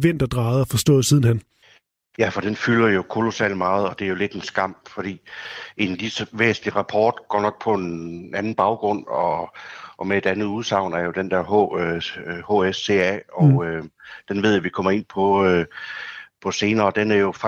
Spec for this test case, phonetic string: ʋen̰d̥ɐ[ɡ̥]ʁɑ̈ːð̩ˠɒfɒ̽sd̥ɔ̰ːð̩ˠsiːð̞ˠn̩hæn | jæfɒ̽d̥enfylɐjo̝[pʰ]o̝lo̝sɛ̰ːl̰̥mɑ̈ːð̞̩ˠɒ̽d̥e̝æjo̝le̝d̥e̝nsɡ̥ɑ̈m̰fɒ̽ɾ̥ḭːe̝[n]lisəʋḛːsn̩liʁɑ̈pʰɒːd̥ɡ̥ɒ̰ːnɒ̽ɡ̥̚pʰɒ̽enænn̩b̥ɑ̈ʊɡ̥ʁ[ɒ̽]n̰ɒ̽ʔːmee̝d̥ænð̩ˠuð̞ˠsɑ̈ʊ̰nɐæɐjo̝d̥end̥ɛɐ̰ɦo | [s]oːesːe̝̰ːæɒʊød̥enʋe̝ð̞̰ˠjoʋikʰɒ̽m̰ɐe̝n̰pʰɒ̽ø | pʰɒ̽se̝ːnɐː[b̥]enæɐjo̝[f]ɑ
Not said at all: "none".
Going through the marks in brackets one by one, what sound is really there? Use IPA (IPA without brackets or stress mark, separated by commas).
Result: d̥, kʰ, n, ɔ̽, h, d̥, f